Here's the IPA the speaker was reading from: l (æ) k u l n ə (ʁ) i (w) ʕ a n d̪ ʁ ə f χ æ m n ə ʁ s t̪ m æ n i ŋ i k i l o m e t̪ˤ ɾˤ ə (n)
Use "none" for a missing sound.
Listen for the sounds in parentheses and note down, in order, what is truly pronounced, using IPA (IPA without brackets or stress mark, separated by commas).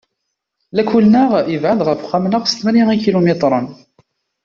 æ, ʁ, v, n